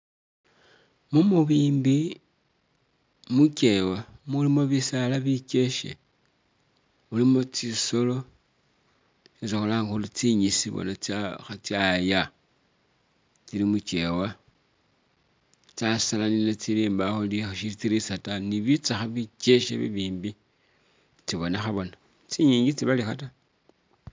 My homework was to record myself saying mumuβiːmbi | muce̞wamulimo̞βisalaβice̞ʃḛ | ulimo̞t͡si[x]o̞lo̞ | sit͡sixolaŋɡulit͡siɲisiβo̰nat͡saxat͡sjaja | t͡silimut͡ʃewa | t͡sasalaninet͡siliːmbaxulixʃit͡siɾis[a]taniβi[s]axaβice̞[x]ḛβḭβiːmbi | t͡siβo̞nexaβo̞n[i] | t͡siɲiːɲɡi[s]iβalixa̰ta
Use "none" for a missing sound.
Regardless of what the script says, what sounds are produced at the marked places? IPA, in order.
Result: s, a, t͡s, ʃ, a, t͡s

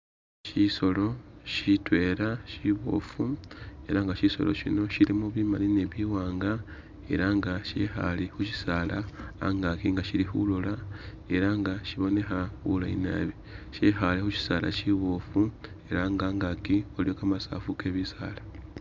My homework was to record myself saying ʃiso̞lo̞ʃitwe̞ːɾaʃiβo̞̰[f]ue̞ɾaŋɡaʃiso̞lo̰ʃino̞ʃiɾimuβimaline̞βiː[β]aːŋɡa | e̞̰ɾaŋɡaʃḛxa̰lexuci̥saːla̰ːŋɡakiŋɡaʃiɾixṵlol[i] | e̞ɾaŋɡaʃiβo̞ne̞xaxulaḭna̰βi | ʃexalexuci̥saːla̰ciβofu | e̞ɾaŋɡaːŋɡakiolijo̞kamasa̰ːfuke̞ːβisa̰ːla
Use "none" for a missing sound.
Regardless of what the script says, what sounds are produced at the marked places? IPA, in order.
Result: f, w, a

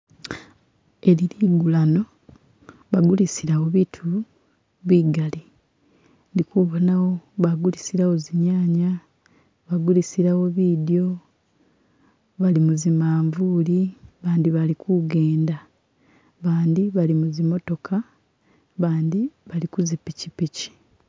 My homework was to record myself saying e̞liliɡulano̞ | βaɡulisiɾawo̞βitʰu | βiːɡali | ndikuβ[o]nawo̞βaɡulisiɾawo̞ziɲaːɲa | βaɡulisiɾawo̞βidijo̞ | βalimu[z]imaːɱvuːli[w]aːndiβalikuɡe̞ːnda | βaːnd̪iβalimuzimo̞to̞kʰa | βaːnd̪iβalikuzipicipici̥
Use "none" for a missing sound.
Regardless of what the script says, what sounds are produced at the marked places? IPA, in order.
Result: o, z, β

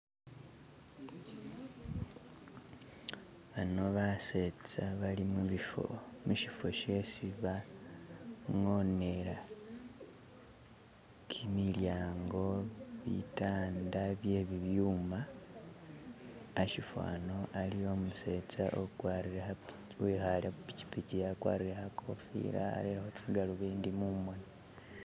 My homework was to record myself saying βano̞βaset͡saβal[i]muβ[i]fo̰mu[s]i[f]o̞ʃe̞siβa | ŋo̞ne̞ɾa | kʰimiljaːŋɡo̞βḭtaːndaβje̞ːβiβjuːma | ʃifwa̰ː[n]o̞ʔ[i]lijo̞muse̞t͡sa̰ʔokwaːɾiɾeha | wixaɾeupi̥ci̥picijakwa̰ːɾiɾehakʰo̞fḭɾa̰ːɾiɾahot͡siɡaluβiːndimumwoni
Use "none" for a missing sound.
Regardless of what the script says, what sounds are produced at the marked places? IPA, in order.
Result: i, i, ʃ, f, n, a

